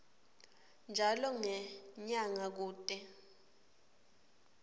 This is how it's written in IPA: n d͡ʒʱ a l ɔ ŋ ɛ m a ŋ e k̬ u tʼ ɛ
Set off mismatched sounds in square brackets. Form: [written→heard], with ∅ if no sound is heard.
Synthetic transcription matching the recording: n d͡ʒʱ a l ɔ ŋ ɛ [m→ɲ] a ŋ [e→a] k̬ [u→uː] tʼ ɛ